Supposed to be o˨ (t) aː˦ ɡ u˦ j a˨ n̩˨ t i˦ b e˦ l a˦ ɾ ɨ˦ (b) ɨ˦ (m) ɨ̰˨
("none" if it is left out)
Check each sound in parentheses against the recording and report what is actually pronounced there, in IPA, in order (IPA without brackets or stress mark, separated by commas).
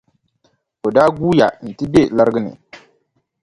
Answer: d, ɡ, n